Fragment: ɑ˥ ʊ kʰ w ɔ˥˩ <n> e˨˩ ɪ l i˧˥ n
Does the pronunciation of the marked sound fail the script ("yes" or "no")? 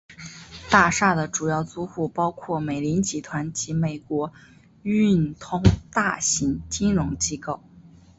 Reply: yes